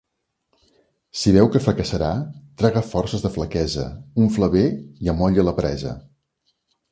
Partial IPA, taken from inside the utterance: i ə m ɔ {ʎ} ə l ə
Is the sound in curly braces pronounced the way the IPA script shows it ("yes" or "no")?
yes